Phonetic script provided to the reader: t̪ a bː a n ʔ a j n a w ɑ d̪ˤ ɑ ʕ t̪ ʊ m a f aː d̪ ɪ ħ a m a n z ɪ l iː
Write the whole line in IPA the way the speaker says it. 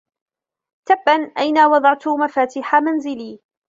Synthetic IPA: t̪ a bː a n ʔ a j n a w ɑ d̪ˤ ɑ ʕ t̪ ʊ m a f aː t̪ ɪ ħ a m a n z ɪ l iː